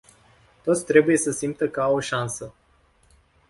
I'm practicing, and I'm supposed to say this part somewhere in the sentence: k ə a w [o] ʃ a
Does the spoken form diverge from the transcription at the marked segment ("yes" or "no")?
no